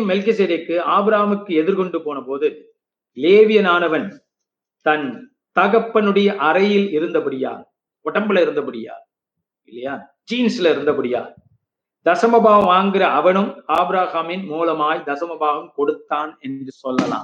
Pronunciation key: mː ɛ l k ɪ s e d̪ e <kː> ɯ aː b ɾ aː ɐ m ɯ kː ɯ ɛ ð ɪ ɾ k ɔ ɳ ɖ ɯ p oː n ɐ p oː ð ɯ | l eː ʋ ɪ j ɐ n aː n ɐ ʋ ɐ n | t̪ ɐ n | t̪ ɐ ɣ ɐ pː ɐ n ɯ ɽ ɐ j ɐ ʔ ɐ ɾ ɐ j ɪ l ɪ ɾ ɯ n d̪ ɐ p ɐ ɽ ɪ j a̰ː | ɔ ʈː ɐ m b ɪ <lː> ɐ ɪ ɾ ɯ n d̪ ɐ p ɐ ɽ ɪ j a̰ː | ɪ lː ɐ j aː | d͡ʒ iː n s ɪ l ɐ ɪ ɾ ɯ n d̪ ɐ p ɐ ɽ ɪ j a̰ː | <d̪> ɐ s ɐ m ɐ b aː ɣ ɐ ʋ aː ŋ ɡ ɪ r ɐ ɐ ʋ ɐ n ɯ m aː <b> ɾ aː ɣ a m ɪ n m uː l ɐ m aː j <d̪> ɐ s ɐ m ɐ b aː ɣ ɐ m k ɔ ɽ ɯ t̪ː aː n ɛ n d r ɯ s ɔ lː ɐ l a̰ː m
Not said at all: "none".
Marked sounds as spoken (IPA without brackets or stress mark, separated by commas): kː, l, d̪, b, d̪